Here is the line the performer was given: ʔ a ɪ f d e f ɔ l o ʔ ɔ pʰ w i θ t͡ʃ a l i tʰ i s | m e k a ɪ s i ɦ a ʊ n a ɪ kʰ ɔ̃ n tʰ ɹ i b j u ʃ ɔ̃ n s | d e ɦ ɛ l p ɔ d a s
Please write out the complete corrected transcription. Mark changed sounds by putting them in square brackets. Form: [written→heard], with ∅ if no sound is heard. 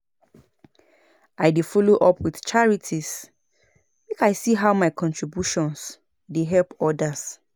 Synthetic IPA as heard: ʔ a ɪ [f→∅] d e f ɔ l o ʔ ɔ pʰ w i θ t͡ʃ a [l→ɹ] i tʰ i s | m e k a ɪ s i ɦ a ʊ [n→m] a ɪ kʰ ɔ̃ n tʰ ɹ i b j u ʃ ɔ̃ n s | d e ɦ ɛ l p ɔ d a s

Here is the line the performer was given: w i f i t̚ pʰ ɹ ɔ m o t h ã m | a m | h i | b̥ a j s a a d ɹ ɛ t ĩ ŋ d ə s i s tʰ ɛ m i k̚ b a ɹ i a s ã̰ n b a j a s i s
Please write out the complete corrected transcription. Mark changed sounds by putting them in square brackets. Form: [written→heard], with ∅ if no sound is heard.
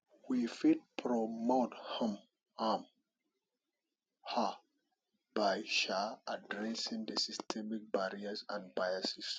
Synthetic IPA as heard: w i f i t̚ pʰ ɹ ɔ m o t h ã m | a m | h [i→a] | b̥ a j [s→ʃ] a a d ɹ ɛ [t→s] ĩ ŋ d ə s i s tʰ ɛ m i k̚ b a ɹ i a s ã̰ n b a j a s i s

